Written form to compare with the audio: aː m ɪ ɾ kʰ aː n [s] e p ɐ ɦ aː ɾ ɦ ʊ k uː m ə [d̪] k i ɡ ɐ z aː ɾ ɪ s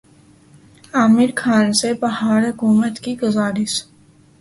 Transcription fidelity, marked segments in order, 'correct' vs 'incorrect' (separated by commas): correct, incorrect